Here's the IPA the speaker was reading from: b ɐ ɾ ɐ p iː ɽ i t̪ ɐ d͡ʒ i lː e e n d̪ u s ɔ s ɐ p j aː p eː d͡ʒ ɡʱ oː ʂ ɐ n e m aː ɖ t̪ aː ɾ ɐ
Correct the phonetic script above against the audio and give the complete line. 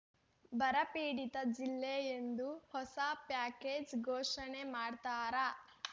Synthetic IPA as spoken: b ɐ ɾ ɐ p iː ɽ i t̪ ɐ d͡ʒ i lː e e n d̪ u h ɔ s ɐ p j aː k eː d͡ʒ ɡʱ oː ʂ ɐ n e m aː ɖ t̪ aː ɾ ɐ